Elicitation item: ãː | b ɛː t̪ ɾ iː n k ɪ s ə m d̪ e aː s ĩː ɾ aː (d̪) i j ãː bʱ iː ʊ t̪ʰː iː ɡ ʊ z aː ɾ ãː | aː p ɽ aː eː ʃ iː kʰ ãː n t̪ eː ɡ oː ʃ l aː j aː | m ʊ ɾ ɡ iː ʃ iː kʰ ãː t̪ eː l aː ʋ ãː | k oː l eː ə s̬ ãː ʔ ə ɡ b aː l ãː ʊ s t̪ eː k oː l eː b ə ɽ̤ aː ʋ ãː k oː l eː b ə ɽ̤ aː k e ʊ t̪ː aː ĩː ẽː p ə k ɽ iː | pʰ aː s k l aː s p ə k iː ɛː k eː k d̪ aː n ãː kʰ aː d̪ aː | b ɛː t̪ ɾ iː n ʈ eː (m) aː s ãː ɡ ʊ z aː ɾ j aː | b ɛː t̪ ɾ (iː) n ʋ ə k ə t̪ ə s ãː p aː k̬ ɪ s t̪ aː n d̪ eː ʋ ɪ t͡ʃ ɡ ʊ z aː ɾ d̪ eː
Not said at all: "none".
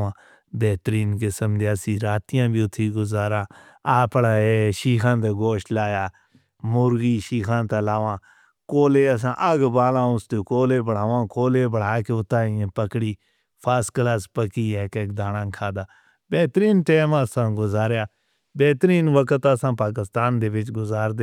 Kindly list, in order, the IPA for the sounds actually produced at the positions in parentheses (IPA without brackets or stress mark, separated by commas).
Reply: t̪, m, iː